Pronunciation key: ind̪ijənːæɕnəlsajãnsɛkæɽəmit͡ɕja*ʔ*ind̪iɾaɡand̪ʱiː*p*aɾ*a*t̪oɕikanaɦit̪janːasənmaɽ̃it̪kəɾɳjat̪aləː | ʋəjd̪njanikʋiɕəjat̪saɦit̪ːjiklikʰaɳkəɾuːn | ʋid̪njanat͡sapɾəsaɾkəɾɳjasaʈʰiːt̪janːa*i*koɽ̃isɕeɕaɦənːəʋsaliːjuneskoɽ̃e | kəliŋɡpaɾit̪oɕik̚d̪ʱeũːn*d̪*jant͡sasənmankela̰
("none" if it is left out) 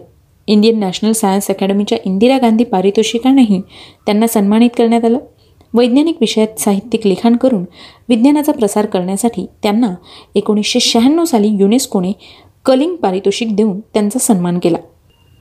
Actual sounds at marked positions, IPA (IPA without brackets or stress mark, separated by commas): ʔ, p, i, e, t̪